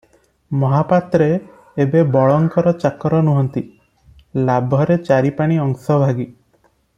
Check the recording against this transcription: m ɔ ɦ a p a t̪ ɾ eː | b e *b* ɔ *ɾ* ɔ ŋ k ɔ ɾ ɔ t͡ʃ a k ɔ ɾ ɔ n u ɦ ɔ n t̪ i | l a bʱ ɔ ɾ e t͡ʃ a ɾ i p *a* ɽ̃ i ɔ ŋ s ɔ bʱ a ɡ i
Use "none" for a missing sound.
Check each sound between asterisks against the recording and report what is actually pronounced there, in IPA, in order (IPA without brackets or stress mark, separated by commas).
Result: b, ɭ, a